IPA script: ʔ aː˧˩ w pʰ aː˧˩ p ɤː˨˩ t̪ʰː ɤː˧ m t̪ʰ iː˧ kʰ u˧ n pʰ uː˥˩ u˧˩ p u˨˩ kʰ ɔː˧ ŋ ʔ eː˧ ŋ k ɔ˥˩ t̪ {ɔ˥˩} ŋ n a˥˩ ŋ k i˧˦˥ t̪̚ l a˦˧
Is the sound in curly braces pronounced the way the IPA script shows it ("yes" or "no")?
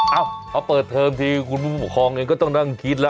yes